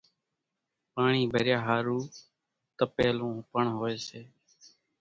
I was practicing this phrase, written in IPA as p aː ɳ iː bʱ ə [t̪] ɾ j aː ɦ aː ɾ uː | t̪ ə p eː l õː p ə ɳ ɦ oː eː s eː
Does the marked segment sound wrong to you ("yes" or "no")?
yes